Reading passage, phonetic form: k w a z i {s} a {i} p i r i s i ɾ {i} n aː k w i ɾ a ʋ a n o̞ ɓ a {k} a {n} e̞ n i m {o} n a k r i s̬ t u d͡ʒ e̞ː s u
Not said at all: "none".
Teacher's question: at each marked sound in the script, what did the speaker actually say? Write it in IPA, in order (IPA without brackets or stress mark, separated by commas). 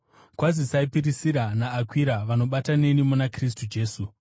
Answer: s, i, a, t, n, u